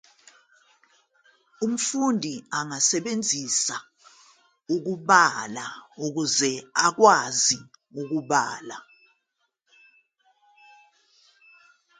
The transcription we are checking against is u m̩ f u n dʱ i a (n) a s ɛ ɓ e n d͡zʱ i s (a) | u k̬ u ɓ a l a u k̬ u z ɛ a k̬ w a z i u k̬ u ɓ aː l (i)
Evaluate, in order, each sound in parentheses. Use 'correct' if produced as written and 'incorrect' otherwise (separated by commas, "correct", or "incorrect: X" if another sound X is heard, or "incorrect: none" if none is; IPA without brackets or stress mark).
incorrect: ŋ, correct, incorrect: a